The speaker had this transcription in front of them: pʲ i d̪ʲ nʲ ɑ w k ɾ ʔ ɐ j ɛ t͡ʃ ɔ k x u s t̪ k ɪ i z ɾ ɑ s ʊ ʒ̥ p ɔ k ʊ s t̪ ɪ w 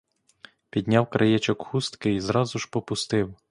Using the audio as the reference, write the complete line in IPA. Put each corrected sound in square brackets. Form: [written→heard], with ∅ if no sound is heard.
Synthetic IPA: pʲ i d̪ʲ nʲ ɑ w k ɾ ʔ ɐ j ɛ t͡ʃ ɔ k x u s t̪ k ɪ i z ɾ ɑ [s→z] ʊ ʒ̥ p ɔ [k→p] ʊ s t̪ ɪ w